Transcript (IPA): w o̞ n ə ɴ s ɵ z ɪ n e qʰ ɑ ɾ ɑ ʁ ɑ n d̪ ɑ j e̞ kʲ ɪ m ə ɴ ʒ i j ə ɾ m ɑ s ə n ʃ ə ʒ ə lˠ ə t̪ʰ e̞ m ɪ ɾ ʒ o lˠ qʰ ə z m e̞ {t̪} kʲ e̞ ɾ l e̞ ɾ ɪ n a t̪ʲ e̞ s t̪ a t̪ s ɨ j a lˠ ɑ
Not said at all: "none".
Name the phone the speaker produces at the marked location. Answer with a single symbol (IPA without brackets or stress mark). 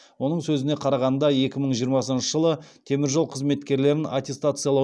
t̪